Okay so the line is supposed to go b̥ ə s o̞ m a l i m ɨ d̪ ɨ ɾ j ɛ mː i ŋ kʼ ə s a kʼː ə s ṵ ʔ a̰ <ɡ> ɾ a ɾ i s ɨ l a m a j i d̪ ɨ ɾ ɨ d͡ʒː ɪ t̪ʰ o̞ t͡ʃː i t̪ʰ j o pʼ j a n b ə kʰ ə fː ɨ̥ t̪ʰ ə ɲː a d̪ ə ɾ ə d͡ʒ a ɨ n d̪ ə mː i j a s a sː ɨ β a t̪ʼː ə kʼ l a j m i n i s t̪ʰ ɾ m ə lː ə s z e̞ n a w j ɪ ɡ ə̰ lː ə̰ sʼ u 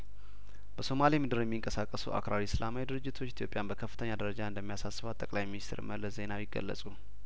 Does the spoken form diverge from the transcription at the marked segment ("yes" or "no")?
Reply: yes